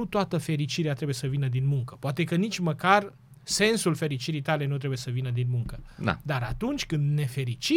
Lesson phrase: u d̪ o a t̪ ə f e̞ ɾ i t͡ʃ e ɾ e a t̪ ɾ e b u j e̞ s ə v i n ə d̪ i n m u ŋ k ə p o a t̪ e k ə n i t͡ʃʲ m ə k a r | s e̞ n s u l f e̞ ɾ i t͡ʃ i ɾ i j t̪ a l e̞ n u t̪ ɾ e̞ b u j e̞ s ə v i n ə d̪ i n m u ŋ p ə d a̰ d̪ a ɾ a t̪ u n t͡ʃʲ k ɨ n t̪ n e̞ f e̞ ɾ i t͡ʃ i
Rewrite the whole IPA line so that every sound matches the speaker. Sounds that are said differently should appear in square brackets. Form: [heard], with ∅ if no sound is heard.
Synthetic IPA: u [t̪] o a t̪ ə f e̞ ɾ i t͡ʃ [i] ɾ e a t̪ ɾ e b u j e̞ s ə v i n ə d̪ i n m u ŋ k ə p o a t̪ e k ə n i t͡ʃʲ m ə k a r | s e̞ n s u l f e̞ ɾ i t͡ʃ i ɾ i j t̪ a l e̞ n u t̪ ɾ e̞ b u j e̞ s ə v i n ə d̪ i n m u ŋ [k] ə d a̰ d̪ a ɾ a t̪ u n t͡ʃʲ k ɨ n [d̪] n e̞ f e̞ ɾ i t͡ʃ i